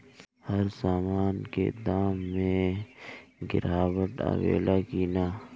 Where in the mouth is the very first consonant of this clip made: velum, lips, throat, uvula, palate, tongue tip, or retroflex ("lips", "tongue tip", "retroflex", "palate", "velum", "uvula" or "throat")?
throat